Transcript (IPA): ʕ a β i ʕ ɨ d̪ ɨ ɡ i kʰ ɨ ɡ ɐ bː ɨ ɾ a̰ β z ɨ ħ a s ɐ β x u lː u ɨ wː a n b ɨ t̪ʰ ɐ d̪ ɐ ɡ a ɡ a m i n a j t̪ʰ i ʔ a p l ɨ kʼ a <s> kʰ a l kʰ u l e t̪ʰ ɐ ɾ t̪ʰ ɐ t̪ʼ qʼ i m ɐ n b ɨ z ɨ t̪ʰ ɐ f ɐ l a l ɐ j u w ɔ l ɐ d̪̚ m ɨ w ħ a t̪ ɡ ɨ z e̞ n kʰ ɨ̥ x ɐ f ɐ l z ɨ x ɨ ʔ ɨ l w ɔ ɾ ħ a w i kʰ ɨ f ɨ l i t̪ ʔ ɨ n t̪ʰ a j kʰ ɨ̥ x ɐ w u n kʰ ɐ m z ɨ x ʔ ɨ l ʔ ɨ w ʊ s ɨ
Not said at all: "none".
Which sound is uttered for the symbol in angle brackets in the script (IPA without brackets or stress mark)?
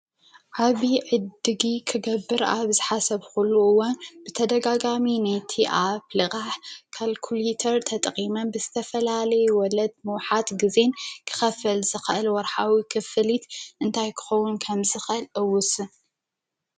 ħ